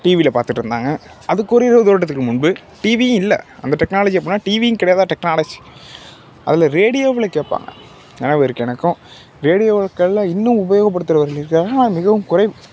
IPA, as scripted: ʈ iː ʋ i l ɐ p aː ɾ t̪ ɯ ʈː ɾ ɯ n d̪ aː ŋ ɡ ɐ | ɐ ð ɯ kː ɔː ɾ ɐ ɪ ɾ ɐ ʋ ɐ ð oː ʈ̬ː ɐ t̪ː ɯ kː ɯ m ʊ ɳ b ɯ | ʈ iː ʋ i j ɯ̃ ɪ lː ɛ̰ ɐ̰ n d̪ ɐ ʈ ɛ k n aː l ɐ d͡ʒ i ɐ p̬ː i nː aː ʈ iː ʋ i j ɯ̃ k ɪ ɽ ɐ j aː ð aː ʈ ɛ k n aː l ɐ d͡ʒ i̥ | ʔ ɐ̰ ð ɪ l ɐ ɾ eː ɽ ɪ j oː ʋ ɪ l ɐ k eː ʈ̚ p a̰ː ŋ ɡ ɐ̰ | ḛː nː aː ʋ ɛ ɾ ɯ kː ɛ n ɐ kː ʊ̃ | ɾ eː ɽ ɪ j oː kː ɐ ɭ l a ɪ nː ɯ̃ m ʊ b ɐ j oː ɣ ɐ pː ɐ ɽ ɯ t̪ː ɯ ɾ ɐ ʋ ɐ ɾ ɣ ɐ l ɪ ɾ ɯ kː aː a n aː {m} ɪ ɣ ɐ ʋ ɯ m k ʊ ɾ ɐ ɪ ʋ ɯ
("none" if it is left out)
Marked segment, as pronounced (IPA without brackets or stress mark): m